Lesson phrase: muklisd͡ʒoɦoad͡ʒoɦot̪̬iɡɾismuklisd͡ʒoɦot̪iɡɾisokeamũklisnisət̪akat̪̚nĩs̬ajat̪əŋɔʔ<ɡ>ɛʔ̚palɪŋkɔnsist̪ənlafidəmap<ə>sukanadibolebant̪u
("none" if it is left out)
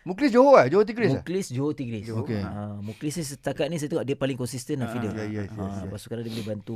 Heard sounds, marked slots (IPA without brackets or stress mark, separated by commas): d, a